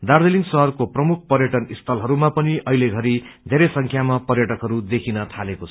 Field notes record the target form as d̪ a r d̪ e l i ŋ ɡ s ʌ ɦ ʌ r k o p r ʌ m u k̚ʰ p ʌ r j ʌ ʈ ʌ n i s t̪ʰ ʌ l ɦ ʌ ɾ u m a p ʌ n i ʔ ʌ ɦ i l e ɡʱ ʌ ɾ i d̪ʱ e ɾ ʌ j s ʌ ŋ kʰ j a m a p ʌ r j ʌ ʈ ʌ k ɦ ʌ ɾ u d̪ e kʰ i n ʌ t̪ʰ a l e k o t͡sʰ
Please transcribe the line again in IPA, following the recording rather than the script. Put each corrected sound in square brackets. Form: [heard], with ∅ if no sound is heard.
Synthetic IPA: d̪ a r d̪ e l i ŋ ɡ s ʌ ɦ ʌ r k o p r ʌ m u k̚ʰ p ʌ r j ʌ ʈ ʌ n i s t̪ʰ ʌ l ɦ ʌ ɾ u m a p ʌ n i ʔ ʌ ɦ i l e ɡʱ ʌ ɾ i d̪ʱ e ɾ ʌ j s ʌ ŋ kʰ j a m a p ʌ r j ʌ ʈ ʌ k ɦ ʌ ɾ u d̪ e kʰ i n ʌ t̪ʰ a l e k o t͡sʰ